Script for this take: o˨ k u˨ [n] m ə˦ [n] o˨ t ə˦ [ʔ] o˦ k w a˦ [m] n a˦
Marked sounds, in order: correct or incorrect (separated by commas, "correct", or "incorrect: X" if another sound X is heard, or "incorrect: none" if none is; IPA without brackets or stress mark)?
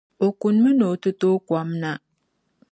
correct, correct, incorrect: t, correct